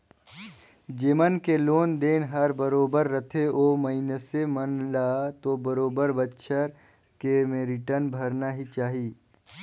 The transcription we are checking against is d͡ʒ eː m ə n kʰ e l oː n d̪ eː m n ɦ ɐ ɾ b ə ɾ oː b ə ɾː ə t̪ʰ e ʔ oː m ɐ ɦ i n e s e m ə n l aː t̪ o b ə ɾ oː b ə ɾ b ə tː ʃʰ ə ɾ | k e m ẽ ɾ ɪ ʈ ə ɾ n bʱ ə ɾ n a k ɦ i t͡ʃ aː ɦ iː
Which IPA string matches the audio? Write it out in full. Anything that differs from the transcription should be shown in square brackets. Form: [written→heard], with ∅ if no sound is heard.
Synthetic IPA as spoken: d͡ʒ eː m ə n [kʰ→k] e l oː n d̪ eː [m→∅] n ɦ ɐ ɾ b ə ɾ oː b ə ɾː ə t̪ʰ e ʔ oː m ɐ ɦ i n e s e m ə n l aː t̪ o b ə ɾ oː b ə ɾ b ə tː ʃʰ ə ɾ | k e m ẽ ɾ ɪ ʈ ə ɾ n bʱ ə ɾ n a [k→∅] ɦ i t͡ʃ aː ɦ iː